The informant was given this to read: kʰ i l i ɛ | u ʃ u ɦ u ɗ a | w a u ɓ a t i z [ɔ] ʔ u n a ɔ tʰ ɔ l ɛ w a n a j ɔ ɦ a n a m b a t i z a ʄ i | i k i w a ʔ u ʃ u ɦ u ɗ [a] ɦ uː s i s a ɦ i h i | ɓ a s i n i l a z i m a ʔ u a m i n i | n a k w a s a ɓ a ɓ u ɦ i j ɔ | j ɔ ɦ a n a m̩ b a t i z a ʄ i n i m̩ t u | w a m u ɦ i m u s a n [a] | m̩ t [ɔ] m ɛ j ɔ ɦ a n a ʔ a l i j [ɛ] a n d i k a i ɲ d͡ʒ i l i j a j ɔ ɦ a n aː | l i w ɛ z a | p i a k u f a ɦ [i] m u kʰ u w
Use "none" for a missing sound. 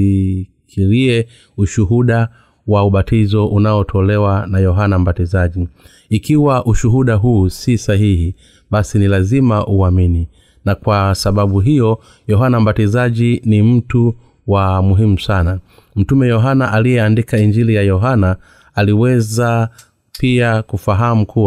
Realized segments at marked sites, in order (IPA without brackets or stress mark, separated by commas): ɔ, a, a, u, ɛ, a